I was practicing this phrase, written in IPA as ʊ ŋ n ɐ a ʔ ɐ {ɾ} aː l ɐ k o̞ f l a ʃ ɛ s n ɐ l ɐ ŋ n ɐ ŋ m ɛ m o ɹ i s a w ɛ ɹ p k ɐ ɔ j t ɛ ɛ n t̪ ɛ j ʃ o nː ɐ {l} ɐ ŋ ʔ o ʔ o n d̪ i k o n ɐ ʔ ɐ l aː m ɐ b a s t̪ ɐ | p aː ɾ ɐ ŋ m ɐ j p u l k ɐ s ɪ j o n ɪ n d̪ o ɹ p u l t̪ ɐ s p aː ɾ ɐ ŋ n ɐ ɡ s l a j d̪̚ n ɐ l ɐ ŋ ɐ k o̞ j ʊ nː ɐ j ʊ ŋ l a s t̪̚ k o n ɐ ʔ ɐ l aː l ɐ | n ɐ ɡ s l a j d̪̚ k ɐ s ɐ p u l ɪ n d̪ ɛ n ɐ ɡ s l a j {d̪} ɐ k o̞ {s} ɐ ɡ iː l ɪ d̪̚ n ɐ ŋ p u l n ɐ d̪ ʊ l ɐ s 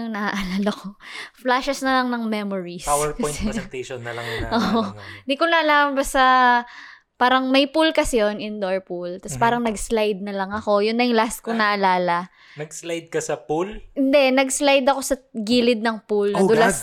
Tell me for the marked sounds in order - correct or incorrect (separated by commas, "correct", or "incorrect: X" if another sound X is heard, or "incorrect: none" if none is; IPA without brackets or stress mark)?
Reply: incorrect: l, correct, correct, correct